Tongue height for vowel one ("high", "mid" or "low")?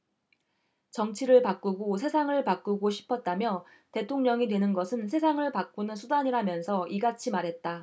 mid